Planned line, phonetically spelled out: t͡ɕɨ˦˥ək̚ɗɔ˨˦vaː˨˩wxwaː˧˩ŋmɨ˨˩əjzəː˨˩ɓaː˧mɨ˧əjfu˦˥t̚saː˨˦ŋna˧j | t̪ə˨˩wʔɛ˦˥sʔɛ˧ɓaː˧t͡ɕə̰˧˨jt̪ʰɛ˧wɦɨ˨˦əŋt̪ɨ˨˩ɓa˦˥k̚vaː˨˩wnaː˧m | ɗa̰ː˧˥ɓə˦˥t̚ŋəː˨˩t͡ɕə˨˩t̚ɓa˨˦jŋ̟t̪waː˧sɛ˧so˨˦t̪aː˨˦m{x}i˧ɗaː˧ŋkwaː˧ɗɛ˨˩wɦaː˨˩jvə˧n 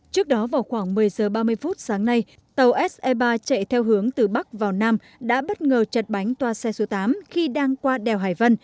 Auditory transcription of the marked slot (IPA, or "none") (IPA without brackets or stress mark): x